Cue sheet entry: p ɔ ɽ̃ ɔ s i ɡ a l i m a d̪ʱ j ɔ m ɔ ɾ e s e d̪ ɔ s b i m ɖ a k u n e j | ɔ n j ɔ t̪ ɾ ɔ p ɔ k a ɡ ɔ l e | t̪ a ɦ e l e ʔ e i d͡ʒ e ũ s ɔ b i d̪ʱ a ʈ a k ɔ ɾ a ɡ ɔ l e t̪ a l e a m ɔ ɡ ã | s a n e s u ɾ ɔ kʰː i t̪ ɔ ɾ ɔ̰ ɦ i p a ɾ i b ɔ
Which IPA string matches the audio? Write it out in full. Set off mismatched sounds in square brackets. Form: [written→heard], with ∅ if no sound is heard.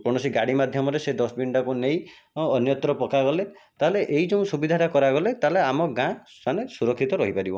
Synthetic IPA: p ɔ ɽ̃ ɔ s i ɡ a [l→ɽ] i m a d̪ʱ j ɔ m ɔ ɾ e s e d̪ ɔ s b i [m→ɳ] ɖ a k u n e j | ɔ n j ɔ t̪ ɾ ɔ p ɔ k a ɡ ɔ l e | t̪ a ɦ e l e ʔ e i d͡ʒ e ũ s [ɔ→u] b i d̪ʱ a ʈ a k ɔ ɾ a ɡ ɔ l e t̪ a l e a m ɔ ɡ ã | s a n e s u ɾ ɔ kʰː i t̪ ɔ ɾ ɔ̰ ɦ i p a ɾ i b ɔ